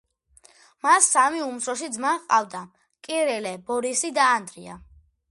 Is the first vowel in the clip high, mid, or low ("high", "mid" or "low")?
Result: low